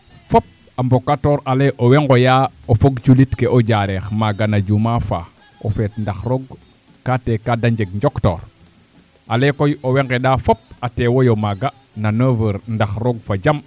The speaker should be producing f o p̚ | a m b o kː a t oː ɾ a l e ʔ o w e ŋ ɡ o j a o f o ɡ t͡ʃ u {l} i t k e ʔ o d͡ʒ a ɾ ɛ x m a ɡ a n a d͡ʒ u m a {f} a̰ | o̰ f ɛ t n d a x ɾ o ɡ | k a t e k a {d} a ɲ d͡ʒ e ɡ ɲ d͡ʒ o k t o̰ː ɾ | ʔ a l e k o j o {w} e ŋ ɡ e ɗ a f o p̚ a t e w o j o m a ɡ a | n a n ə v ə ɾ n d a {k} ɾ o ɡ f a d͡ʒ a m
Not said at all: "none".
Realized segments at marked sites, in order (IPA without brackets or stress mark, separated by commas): l, f, d, w, x